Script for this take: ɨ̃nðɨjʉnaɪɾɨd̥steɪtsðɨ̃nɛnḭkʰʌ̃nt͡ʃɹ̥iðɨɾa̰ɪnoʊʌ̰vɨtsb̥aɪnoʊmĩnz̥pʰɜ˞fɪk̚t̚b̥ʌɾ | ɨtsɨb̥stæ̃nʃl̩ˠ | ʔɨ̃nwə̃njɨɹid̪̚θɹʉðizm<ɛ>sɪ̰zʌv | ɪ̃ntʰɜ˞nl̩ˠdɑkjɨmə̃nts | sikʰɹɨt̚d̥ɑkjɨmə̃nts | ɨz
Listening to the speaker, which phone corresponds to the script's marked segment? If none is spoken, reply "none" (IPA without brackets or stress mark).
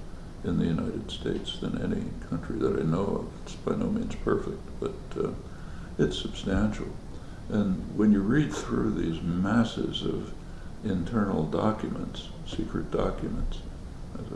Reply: æ